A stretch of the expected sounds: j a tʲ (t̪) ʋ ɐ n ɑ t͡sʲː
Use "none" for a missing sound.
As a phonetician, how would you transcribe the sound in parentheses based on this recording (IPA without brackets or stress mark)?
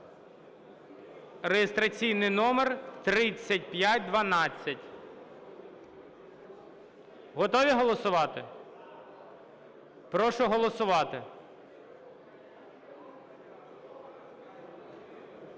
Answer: d̪